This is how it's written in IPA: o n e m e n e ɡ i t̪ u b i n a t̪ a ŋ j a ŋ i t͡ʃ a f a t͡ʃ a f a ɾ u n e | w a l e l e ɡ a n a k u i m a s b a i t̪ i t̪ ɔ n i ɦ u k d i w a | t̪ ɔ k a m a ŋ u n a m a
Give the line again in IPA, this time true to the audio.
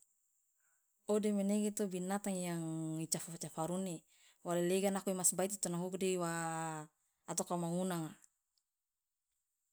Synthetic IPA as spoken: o d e m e n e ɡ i t̪ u b i n a t̪ a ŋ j a ŋ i t͡ʃ a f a t͡ʃ a f a ɾ u n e | w a l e l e ɡ a n a k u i m a s b a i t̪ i t̪ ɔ n a ɦ u k d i w a | t̪ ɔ k a m a ŋ u n a ŋ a